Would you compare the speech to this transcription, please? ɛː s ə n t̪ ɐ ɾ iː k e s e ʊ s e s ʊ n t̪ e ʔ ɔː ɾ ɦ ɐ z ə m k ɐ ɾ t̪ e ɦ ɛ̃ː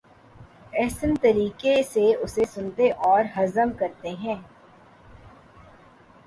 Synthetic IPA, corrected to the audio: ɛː s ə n t̪ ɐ ɾ iː k e s e ʊ s e s ʊ n t̪ e ʔ ɔː ɾ ɦ ɐ z ə m k ɐ ɾ t̪ e ɦ ɛ̃ː

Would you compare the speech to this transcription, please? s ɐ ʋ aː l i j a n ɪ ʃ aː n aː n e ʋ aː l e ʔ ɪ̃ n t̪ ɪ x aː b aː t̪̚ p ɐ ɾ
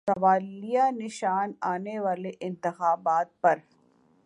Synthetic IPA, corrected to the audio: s ɐ ʋ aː l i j a n ɪ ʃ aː n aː n e ʋ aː l e ʔ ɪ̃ n t̪ ɪ x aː b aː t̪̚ p ɐ ɾ

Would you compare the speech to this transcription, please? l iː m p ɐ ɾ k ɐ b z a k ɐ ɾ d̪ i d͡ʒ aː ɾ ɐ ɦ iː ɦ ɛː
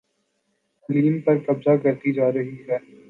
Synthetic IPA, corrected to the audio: l iː m p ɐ ɾ k ɐ b z a k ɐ ɾ t̪ i d͡ʒ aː ɾ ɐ ɦ i ɦ ɛː

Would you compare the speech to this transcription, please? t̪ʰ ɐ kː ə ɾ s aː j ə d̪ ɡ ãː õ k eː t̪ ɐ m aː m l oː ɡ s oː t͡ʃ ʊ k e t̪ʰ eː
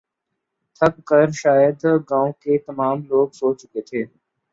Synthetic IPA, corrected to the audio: t̪ʰ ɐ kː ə ɾ ʃ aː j ə d̪ ɡ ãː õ k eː t̪ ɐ m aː m l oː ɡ s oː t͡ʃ ʊ k e t̪ʰ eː

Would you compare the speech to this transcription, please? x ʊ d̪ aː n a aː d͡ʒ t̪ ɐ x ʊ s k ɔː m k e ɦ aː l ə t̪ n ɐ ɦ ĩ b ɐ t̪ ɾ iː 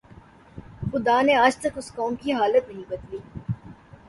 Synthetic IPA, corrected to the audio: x ʊ d̪ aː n e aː d͡ʒ t̪ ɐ k ʊ s k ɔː m k i ɦ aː l ə t̪ n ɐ ɦ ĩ b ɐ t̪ l iː

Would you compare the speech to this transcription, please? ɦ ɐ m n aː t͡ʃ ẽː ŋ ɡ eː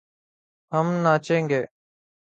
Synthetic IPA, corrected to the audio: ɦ ə m n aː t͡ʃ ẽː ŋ ɡ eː

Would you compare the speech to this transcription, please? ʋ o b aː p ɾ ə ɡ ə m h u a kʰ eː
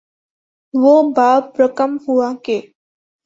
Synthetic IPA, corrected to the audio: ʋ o b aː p ɾ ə k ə m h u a k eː

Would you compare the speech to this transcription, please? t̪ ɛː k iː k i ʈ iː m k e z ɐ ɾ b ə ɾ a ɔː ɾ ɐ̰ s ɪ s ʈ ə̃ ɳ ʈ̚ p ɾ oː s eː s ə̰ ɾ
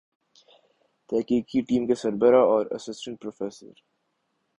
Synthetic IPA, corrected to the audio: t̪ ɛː k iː k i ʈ iː m k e s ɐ ɾ b ə ɾ a ɔː ɾ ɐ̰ s ɪ s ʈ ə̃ ɳ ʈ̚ p ɾ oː f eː s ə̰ ɾ

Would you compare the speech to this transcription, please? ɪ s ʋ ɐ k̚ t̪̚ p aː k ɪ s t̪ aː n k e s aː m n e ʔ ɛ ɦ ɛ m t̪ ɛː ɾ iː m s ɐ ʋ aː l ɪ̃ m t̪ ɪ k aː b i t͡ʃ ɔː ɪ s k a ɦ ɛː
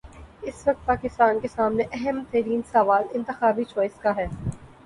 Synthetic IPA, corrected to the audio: ɪ s ʋ ɐ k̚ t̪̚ p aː k ɪ s t̪ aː n k e s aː m n e ʔ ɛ ɦ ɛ m t̪ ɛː ɾ iː n s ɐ ʋ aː l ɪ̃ n t̪ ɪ x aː b i t͡ʃ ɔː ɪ s k a ɦ ɛː

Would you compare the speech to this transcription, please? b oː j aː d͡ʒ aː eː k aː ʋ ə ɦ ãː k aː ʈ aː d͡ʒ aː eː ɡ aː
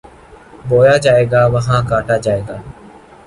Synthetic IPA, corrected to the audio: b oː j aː d͡ʒ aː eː ɡ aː ʋ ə ɦ ãː k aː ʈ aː d͡ʒ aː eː ɡ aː

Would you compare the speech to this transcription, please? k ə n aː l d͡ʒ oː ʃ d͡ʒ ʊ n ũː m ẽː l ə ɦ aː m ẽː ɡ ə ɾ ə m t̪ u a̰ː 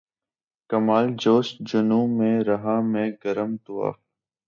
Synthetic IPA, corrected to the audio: k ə m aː l d͡ʒ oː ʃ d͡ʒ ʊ n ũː m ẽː ɾ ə ɦ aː m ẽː ɡ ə ɾ ə m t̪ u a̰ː

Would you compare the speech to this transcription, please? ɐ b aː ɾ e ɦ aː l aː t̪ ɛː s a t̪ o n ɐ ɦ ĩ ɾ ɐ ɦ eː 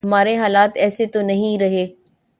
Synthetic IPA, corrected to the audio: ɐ m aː ɾ e ɦ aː l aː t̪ ɛː s e t̪ o n ɐ ɦ ĩ ɾ ɐ ɦ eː

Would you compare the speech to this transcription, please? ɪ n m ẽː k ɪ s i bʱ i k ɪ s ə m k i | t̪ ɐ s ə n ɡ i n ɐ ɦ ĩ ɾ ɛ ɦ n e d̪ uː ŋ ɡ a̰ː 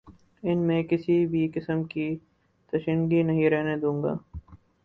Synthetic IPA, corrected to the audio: ɪ n m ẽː k ɪ s i bʱ i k ɪ s ə m k i | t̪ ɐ ʃ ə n ɡ i n ɐ ɦ ĩ ɾ ɛ ɦ n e d̪ ũː ŋ ɡ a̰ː

